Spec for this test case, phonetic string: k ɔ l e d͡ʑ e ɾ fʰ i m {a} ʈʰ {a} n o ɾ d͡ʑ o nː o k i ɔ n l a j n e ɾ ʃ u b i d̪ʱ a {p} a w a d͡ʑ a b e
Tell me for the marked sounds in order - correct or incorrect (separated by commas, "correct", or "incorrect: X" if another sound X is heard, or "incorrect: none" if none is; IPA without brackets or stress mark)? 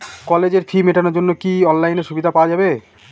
incorrect: e, correct, correct